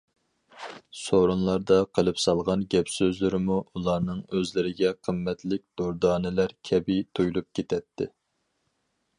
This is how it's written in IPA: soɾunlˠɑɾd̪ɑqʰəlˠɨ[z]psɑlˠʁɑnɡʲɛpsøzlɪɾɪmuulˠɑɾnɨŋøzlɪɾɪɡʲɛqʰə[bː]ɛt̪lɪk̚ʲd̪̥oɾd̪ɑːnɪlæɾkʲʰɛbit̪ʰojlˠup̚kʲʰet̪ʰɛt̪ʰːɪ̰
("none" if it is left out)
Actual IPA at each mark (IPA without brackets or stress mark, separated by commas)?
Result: none, mː